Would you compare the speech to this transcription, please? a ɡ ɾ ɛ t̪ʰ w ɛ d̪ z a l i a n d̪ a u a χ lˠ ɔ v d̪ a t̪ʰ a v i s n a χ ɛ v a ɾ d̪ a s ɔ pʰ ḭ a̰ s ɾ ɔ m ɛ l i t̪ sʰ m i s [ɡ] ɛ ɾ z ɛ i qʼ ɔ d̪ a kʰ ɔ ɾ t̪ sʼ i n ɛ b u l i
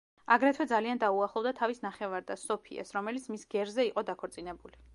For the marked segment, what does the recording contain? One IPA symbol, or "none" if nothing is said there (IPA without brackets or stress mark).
ɡ